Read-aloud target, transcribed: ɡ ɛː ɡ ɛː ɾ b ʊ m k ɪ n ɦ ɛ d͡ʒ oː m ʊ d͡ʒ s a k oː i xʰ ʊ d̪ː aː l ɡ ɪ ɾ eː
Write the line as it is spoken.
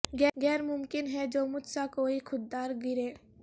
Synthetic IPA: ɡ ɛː ɡ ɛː ɾ m ʊ m k ɪ n ɦ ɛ d͡ʒ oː m ʊ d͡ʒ s a k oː i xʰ ʊ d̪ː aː ɾ ɡ ɪ ɾ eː